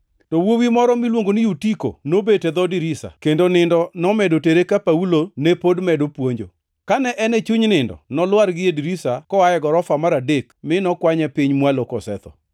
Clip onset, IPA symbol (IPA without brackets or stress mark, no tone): t